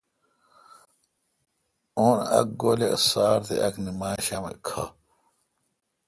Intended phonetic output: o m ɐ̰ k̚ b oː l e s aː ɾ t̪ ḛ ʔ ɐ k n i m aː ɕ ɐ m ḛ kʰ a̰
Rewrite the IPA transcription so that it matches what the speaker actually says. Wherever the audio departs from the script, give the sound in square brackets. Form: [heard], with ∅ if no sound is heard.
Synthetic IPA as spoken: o [n] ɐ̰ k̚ [ɡ] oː l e s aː ɾ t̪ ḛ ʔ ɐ k n i m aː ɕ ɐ m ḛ kʰ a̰